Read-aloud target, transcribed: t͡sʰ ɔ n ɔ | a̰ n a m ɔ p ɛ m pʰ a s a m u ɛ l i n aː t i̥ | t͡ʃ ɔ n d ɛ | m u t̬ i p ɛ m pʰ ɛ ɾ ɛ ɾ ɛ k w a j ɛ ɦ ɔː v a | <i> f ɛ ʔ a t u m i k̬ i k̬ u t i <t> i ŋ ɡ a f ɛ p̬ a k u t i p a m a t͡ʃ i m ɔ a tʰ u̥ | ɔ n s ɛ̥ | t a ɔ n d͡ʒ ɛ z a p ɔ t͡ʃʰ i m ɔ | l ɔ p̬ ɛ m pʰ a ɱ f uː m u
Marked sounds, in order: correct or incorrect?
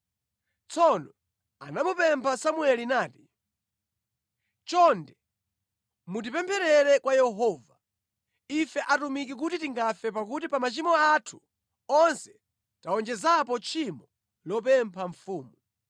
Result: correct, correct

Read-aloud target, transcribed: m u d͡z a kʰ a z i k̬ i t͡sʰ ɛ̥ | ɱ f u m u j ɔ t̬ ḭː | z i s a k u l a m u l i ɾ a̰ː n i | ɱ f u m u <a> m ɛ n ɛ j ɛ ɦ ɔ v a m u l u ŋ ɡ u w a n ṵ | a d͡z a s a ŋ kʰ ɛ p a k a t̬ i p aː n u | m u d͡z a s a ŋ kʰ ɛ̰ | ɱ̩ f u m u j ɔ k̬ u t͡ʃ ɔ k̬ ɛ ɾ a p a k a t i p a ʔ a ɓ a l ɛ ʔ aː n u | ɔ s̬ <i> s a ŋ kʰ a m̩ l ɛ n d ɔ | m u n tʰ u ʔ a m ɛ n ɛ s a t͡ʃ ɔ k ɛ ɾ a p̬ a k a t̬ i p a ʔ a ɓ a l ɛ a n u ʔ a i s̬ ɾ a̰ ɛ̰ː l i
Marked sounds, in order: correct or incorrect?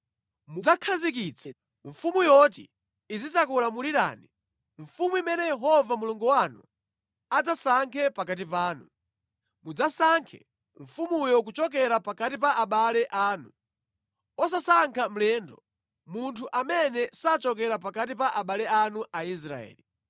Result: incorrect, incorrect

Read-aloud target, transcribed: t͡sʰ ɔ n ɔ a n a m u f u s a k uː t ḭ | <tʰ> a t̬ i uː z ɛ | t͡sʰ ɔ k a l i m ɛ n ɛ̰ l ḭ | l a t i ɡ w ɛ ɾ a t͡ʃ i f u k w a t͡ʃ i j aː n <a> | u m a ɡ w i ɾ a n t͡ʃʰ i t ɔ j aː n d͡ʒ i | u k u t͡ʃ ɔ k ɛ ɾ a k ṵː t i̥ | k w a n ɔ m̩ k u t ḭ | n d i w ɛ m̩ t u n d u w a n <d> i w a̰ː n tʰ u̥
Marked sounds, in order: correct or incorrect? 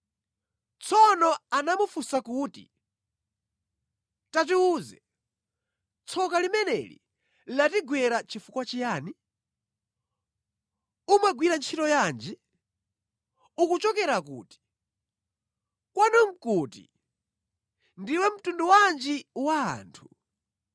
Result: incorrect, incorrect, incorrect

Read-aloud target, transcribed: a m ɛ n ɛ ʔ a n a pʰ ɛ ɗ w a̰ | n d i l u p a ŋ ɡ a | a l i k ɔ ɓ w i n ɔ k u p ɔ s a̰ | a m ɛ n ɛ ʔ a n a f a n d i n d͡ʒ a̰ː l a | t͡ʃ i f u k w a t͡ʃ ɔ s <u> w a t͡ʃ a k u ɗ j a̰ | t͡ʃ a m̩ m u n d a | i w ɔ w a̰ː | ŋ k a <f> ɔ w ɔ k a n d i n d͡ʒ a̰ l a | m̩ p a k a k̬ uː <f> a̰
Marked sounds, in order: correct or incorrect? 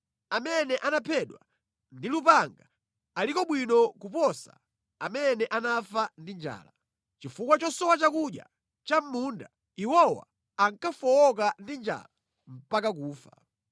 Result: incorrect, correct, correct

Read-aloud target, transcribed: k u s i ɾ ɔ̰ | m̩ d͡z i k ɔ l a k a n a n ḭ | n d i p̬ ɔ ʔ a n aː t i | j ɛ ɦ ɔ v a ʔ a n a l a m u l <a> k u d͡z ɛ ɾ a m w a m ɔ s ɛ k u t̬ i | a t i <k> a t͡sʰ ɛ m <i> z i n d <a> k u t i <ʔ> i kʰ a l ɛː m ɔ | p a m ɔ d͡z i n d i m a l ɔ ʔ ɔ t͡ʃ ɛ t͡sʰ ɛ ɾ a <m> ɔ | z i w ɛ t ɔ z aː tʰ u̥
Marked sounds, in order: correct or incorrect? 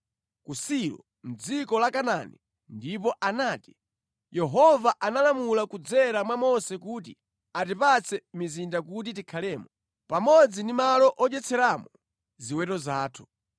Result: correct, incorrect, correct, correct, incorrect, correct

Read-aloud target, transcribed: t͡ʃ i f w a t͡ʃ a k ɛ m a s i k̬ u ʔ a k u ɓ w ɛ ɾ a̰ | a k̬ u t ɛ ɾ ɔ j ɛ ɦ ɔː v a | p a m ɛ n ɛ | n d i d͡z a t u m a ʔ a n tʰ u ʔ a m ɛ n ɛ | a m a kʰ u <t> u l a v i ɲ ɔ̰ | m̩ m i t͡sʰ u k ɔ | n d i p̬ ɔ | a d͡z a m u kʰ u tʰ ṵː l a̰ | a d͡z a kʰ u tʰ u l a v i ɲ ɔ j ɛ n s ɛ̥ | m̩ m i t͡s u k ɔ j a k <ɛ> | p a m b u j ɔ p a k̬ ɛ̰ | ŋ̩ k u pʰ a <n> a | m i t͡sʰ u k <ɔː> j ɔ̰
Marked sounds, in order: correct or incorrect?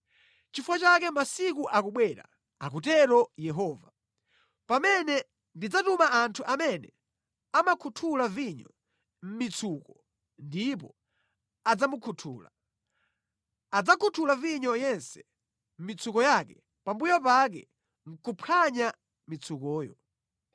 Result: incorrect, correct, incorrect, correct

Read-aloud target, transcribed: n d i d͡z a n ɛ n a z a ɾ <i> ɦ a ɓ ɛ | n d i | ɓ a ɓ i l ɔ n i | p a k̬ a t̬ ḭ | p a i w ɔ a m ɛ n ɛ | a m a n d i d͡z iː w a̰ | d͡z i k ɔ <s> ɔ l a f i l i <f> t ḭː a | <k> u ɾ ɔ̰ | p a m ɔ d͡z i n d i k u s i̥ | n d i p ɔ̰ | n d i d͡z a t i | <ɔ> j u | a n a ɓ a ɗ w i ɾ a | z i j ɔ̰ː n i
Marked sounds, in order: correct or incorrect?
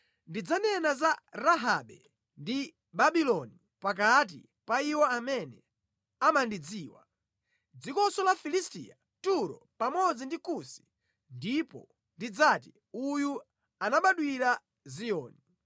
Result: incorrect, correct, incorrect, incorrect, incorrect

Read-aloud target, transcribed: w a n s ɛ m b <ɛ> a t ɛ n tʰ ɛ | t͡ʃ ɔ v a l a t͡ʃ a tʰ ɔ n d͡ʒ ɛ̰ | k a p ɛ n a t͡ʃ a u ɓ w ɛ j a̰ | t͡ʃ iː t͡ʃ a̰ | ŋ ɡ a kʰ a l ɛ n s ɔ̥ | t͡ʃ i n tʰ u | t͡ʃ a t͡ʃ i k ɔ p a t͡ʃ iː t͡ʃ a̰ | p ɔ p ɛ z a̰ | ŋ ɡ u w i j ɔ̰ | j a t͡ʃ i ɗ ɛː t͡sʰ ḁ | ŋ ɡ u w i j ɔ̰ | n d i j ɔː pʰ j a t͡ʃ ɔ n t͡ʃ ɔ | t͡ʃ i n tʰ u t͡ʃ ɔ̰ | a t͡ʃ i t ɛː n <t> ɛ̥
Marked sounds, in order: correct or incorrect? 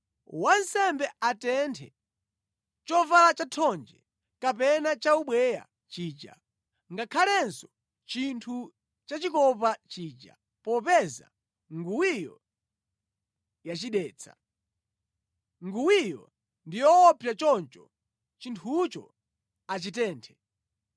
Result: correct, incorrect

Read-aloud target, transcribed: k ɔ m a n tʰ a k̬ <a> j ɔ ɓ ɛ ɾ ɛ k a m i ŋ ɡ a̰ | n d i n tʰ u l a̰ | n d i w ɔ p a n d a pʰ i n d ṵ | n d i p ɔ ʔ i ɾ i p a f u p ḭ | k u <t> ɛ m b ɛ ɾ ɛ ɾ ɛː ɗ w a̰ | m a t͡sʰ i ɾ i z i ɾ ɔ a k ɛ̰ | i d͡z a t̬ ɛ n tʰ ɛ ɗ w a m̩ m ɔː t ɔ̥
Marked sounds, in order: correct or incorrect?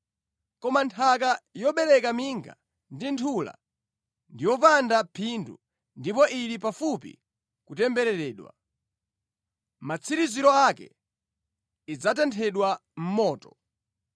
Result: correct, correct

